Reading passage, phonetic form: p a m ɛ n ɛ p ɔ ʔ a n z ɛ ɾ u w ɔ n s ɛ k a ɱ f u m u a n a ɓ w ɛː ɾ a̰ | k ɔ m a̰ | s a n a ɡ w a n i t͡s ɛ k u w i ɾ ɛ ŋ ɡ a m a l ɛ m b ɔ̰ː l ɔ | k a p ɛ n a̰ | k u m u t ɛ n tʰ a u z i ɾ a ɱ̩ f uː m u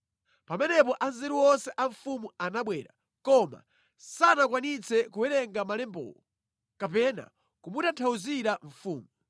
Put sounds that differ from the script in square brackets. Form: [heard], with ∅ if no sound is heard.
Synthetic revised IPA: p a m ɛ n ɛ p ɔ ʔ a n z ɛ ɾ u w ɔ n s ɛ [ʔ] a ɱ f u m u a n a ɓ w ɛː ɾ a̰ | k ɔ m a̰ | s a n a [k] w a n i t͡s ɛ k u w [ɛ] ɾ ɛ ŋ ɡ a m a l ɛ m b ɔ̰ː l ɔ | k a p ɛ n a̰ | k u m u t [a] n tʰ a u z i ɾ a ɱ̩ f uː m u